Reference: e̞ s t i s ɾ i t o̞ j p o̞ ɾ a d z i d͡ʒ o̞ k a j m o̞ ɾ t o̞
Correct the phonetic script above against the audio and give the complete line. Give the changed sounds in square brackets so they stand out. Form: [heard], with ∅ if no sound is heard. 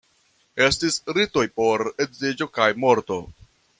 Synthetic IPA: e̞ s t i s ɾ i t o̞ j p o̞ ɾ [e] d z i d͡ʒ o̞ k a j m o̞ ɾ t o̞